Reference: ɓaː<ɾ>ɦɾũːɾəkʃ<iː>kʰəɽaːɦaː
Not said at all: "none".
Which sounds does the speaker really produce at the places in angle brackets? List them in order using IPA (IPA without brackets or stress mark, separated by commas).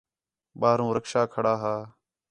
none, aː